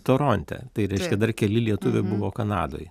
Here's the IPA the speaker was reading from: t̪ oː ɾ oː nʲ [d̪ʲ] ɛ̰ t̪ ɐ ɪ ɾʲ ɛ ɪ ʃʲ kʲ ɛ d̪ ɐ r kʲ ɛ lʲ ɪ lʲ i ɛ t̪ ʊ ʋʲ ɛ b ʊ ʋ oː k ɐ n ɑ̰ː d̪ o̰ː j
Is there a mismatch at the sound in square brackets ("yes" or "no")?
yes